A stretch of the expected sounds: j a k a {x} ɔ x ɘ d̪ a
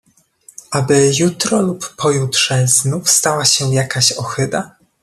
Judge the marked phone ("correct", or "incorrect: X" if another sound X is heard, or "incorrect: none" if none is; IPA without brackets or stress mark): incorrect: ɕ